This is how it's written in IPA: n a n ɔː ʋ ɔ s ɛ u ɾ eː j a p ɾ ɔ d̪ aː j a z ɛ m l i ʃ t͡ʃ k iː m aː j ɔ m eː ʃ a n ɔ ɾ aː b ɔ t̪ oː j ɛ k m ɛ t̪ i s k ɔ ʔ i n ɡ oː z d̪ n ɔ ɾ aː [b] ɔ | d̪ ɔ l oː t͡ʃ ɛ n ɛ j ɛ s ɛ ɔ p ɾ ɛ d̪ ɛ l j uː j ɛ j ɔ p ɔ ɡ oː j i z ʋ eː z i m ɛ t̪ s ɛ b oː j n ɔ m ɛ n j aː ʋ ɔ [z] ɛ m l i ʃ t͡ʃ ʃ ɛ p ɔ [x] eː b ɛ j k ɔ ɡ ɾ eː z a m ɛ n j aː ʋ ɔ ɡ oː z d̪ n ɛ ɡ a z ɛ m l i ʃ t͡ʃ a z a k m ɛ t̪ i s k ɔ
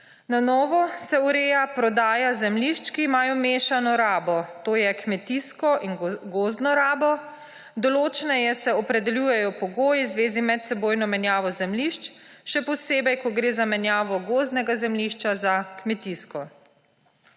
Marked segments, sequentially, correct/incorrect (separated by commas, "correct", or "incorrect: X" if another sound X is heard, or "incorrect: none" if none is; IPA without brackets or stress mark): correct, correct, incorrect: s